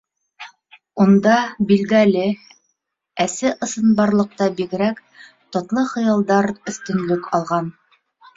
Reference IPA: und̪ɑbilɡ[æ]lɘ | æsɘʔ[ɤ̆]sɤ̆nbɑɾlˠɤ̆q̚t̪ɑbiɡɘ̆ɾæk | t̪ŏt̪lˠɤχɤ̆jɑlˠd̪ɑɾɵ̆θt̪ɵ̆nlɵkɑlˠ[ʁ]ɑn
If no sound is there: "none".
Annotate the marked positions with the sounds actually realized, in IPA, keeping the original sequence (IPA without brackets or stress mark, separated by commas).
æ, ɤ̆, ʁ